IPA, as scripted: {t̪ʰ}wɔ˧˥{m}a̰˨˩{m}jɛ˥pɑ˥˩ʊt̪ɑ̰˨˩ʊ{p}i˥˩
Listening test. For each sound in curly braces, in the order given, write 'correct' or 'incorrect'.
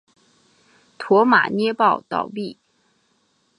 correct, correct, incorrect: n, correct

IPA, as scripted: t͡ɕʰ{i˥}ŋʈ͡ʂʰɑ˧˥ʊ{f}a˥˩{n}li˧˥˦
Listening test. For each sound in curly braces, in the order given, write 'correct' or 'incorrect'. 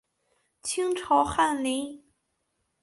correct, incorrect: x, correct

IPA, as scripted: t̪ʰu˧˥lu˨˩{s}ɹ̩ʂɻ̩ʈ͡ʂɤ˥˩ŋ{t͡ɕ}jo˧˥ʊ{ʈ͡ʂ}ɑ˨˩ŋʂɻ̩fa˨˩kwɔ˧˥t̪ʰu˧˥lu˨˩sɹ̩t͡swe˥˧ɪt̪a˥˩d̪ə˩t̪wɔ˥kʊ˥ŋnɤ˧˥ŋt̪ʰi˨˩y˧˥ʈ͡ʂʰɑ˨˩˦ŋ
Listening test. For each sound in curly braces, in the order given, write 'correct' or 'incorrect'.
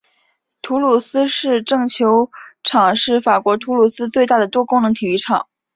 correct, incorrect: t͡ɕʰ, incorrect: ʈ͡ʂʰ

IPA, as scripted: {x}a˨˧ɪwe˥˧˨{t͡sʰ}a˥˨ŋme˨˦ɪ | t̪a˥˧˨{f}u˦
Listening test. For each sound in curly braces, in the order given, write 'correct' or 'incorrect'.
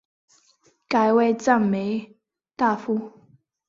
incorrect: k, incorrect: t͡s, correct

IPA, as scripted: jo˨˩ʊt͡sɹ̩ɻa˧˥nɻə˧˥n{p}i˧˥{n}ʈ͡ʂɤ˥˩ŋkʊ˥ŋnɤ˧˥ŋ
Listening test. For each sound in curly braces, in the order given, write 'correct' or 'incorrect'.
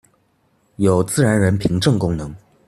incorrect: pʰ, incorrect: ŋ

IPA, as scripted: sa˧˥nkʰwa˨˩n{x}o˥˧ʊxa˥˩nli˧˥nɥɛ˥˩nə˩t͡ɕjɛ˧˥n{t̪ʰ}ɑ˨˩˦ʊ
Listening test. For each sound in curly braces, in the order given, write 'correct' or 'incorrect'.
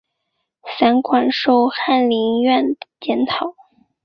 incorrect: ʂ, correct

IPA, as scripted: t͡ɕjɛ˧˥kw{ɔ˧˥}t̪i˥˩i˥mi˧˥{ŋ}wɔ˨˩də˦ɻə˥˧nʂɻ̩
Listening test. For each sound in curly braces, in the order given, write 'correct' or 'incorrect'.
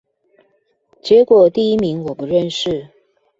incorrect: ɔ˨˩, correct

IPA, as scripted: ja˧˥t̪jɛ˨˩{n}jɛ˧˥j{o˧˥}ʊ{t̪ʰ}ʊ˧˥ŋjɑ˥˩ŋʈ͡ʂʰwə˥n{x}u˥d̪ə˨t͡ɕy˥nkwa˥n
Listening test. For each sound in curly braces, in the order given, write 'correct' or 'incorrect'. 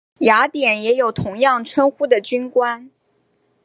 correct, incorrect: o˨˩, correct, correct

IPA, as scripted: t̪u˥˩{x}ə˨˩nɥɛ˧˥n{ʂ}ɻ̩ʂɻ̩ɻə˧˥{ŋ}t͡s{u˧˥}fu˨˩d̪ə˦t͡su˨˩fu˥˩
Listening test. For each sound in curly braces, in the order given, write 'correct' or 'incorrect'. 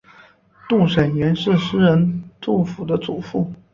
incorrect: ʂ, correct, incorrect: n, incorrect: u˥˩

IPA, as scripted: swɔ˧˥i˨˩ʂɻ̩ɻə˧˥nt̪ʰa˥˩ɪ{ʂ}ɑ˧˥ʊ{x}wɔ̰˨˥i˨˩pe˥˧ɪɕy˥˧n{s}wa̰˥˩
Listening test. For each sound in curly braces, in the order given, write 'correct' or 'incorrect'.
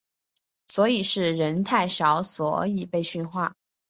correct, incorrect: s, incorrect: x

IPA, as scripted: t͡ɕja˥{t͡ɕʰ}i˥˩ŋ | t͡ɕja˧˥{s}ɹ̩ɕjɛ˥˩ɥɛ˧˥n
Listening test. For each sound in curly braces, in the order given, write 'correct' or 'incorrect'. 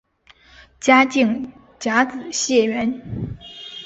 incorrect: t͡ɕ, incorrect: t͡s

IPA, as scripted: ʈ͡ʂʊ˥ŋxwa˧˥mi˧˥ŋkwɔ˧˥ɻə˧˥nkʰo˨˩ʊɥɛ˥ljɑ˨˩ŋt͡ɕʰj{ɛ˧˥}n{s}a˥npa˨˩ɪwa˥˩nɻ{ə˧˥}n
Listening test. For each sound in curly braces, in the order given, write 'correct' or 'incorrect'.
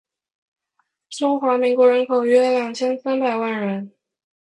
incorrect: ɛ˥, correct, correct

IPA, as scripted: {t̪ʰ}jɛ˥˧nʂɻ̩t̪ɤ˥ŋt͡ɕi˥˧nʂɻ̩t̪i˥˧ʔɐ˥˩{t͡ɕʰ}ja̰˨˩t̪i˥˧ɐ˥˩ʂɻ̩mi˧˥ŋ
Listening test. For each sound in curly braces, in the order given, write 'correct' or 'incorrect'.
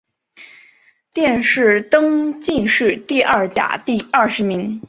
incorrect: t̪, incorrect: t͡ɕ

